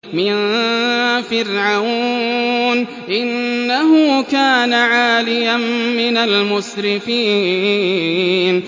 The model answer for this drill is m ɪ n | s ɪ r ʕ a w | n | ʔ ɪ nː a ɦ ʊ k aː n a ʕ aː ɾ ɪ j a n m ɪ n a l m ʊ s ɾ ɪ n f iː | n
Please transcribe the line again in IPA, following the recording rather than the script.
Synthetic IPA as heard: m ɪ n | f ɪ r ʕ a w | n | ʔ ɪ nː a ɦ ʊ k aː n a ʕ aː l ɪ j a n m ɪ n a l m ʊ s ɾ ɪ f iː | n